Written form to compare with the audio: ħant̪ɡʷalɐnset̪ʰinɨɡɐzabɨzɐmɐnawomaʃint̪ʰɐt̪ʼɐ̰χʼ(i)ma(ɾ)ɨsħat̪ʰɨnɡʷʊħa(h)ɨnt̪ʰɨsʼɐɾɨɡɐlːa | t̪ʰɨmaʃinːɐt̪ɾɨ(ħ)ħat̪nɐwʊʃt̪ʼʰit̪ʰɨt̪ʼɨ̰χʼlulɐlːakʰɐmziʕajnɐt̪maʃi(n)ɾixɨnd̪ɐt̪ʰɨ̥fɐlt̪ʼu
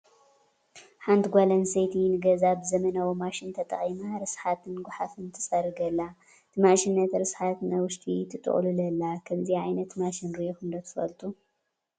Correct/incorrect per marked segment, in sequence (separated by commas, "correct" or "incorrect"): correct, correct, incorrect, incorrect, correct